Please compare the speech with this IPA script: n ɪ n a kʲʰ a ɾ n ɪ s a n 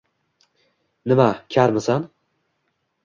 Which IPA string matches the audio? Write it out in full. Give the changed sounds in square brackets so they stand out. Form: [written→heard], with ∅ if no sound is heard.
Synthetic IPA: n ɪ [n→m] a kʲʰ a ɾ [n→m] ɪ s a n